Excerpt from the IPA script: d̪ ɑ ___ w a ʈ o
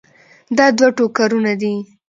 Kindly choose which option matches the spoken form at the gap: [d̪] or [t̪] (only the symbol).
d̪